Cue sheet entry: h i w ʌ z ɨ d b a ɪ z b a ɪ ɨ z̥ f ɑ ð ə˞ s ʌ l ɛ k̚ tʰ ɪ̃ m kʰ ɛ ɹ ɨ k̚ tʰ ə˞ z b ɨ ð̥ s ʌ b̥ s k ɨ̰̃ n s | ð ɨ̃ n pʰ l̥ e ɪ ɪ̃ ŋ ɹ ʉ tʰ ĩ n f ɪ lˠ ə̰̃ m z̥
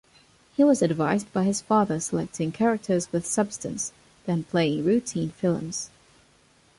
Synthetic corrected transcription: h i w ʌ z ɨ d v a ɪ z b a ɪ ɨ z̥ f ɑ ð ə˞ s ə l ɛ k̚ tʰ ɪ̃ ŋ kʰ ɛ ɹ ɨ k̚ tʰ ə˞ z w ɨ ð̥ s ʌ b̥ s t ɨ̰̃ n s | ð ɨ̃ n pʰ l̥ e ɪ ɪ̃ ŋ ɹ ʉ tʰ ĩ n f ɪ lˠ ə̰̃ m z̥